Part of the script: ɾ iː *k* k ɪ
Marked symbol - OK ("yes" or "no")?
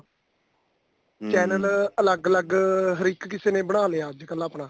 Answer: yes